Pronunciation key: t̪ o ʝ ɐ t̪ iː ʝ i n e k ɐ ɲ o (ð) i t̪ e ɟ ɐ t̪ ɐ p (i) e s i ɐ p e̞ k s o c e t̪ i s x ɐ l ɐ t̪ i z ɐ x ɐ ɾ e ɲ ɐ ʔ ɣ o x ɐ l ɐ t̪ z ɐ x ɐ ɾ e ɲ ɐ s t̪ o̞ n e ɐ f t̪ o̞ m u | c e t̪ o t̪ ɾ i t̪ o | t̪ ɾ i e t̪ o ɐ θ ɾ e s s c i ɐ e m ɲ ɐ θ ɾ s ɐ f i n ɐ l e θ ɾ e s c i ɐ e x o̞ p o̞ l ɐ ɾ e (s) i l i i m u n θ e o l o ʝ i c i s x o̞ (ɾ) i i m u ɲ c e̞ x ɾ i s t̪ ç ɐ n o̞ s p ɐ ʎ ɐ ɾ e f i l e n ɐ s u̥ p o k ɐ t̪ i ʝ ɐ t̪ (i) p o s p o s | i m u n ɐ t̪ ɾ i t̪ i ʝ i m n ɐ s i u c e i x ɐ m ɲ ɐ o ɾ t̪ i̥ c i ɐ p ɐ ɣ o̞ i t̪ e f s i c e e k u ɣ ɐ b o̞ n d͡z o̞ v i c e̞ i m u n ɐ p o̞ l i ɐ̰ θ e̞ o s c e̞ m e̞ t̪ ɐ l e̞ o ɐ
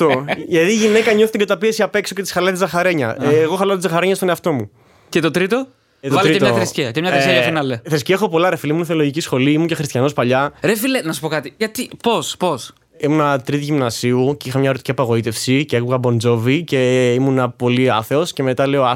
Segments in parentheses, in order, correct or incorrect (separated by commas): incorrect, correct, incorrect, incorrect, correct